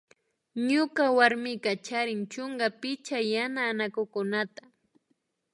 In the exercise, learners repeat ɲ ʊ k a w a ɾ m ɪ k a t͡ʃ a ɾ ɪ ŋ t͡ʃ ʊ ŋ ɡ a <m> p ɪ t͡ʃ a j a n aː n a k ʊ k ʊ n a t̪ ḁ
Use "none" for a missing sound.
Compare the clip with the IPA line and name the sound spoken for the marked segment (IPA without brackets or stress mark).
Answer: none